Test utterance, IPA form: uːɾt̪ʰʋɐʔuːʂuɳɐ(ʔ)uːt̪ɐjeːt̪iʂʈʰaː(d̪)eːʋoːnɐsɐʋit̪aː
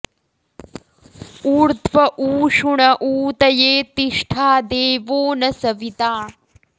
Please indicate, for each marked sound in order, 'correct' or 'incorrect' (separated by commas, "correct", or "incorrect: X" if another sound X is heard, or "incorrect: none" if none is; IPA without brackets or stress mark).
correct, correct